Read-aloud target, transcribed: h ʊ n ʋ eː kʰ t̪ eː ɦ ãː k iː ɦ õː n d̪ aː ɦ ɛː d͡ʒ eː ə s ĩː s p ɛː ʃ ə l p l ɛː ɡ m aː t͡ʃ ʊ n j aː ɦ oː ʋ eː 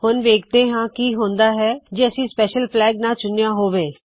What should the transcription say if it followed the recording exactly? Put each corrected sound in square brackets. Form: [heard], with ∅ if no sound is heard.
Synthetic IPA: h ʊ n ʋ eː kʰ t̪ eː ɦ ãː k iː ɦ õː n d̪ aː ɦ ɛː d͡ʒ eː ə s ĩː s p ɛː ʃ ə l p l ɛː ɡ [n] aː t͡ʃ ʊ n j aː ɦ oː ʋ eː